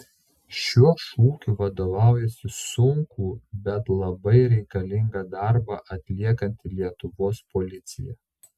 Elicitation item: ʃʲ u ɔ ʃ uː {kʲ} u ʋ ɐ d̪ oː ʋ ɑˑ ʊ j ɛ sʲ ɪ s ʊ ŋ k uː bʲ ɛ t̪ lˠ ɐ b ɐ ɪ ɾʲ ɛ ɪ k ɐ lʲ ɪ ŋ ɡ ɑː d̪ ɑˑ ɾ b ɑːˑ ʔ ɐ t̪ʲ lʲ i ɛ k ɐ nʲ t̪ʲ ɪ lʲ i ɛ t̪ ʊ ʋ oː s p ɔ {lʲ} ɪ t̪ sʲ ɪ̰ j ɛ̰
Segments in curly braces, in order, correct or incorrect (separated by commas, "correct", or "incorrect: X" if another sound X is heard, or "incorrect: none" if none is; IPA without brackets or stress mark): correct, correct